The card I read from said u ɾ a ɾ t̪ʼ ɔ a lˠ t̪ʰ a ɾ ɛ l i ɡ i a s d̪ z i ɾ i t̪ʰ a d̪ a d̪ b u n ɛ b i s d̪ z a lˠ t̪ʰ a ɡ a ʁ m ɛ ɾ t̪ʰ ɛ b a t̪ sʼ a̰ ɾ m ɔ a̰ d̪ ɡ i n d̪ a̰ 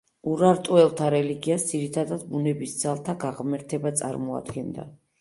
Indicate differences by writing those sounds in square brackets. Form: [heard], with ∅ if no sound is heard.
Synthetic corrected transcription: u ɾ a ɾ t̪ʼ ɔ [ɛ] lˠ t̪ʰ a ɾ ɛ l i ɡ i a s d̪ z i ɾ i t̪ʰ a d̪ a d̪ b u n ɛ b i s d̪ z a lˠ t̪ʰ a ɡ a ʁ m ɛ ɾ t̪ʰ ɛ b a t̪ sʼ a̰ ɾ m ɔ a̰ d̪ ɡ [ɛ] n d̪ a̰

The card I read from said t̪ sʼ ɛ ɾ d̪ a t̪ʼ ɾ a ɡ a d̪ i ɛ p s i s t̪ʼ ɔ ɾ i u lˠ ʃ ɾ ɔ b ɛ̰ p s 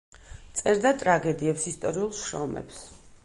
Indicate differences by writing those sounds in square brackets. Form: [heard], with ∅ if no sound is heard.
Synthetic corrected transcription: t̪ sʼ ɛ ɾ d̪ a t̪ʼ ɾ a ɡ [ɛ] d̪ i ɛ p s i s t̪ʼ ɔ ɾ i u lˠ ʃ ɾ ɔ [m] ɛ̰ p s

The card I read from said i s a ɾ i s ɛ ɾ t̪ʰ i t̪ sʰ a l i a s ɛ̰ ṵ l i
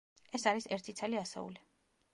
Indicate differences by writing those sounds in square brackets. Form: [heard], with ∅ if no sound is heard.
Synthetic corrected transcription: [ɛ] s a ɾ i s ɛ ɾ t̪ʰ i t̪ sʰ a l i a s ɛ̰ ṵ l i

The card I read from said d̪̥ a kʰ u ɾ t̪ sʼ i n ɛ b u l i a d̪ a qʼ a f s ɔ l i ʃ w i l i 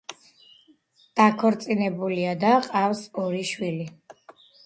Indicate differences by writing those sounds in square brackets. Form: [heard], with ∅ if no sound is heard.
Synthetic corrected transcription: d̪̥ a kʰ [ɔ] ɾ t̪ sʼ i n ɛ b u l i a d̪ a qʼ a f s ɔ [ɾ] i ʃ w i l i

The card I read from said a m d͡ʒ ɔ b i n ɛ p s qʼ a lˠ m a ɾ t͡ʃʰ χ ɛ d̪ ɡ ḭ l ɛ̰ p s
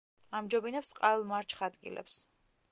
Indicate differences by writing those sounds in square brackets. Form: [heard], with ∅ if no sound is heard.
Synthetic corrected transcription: a m d͡ʒ ɔ b i n ɛ p s qʼ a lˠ m a ɾ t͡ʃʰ χ [a] d̪ ɡ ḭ l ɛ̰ p s

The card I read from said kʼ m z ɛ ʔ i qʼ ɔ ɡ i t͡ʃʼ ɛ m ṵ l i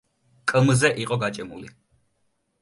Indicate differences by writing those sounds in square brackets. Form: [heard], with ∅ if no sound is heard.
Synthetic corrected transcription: kʼ m z ɛ ʔ i qʼ ɔ ɡ [a] t͡ʃʼ ɛ m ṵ l i

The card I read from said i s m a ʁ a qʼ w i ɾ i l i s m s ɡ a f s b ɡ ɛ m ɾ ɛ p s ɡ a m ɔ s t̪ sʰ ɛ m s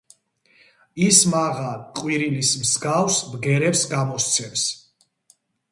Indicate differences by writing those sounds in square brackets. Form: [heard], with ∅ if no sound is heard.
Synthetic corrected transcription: i s m a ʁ a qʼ w i ɾ i l i s m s ɡ a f s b ɡ ɛ [∅] ɾ ɛ p s ɡ a m ɔ s t̪ sʰ ɛ m s

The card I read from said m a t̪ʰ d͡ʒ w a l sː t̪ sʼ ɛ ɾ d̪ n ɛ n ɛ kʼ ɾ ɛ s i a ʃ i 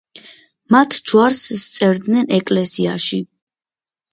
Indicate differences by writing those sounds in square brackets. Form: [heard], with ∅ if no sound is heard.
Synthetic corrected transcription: m a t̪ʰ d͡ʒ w a [ɾ] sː t̪ sʼ ɛ ɾ d̪ n ɛ n ɛ kʼ [l] ɛ s i a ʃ i

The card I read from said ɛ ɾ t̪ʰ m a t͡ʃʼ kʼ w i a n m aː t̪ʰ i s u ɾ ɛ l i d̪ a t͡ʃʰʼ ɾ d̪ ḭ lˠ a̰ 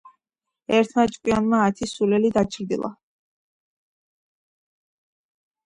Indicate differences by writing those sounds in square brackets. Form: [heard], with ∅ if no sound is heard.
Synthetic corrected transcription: ɛ ɾ t̪ʰ m a t͡ʃʼ kʼ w i a n m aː t̪ʰ i s u [l] ɛ l i d̪ a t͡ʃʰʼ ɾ d̪ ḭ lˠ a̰

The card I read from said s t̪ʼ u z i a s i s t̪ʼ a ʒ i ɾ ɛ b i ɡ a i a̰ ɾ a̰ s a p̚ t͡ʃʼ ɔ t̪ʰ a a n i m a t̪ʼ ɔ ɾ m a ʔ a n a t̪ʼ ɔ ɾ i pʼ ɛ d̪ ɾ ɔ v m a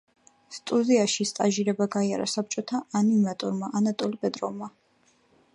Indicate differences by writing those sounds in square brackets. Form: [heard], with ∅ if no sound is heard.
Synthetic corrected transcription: s t̪ʼ u z i a [ʃ] i s t̪ʼ a ʒ i ɾ ɛ b [a] ɡ a i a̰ ɾ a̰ s a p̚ t͡ʃʼ ɔ t̪ʰ a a n i m a t̪ʼ ɔ ɾ m a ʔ a n a t̪ʼ ɔ [l] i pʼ ɛ d̪ ɾ ɔ v m a

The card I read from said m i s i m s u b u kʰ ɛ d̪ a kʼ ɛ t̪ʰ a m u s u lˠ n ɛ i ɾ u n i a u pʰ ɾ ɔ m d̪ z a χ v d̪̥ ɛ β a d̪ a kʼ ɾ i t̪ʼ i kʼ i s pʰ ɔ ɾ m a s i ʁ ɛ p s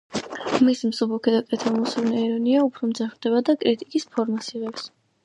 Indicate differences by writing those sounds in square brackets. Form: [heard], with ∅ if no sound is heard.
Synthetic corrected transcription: m i s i m s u b u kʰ ɛ d̪ a kʼ ɛ t̪ʰ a m u s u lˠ n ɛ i ɾ [ɔ] n i a u pʰ ɾ ɔ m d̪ z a χ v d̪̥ ɛ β a d̪ a kʼ ɾ i t̪ʼ i kʼ i s pʰ ɔ ɾ m a s i ʁ ɛ p s

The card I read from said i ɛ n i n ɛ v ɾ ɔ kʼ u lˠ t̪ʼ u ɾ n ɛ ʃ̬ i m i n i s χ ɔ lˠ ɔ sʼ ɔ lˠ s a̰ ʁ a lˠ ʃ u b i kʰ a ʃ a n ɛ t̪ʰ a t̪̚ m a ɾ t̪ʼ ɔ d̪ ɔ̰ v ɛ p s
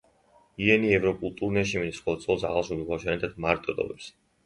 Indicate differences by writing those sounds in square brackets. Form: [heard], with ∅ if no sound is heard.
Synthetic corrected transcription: i ɛ n i [∅] ɛ v ɾ ɔ kʼ u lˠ t̪ʼ u ɾ n ɛ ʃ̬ i m i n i s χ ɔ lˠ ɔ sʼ ɔ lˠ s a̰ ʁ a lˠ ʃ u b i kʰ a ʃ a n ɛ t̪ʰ a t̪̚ m a ɾ t̪ʼ ɔ d̪ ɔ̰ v ɛ p s

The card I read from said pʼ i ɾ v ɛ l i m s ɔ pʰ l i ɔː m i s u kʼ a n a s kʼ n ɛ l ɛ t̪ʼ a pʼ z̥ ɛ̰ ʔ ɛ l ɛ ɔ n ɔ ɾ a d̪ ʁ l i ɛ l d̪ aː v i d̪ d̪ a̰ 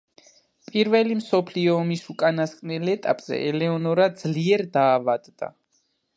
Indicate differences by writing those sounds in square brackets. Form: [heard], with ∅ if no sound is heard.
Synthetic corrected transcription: pʼ i ɾ v ɛ l i m s ɔ pʰ l i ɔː m i s u kʼ a n a s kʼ n ɛ l ɛ t̪ʼ a pʼ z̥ ɛ̰ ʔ ɛ l ɛ ɔ n ɔ ɾ a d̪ [z] l i ɛ [ɾ] d̪ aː v [a] d̪ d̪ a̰

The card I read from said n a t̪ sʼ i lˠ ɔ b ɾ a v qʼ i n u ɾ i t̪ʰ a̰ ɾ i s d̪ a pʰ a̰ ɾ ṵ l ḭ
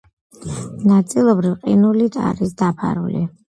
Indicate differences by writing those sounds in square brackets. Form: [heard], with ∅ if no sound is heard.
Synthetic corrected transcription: n a t̪ sʼ i lˠ ɔ b ɾ [i] v qʼ i n u [l] i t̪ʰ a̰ ɾ i s d̪ a pʰ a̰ ɾ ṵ l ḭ

